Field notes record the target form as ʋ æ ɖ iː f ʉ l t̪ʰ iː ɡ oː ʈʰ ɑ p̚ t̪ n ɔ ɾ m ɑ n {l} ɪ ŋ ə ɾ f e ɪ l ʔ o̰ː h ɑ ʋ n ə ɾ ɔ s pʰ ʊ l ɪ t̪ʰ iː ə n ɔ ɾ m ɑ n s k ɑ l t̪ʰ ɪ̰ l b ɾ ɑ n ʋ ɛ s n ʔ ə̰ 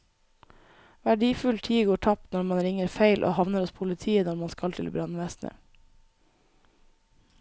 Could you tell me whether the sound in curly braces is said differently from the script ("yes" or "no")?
yes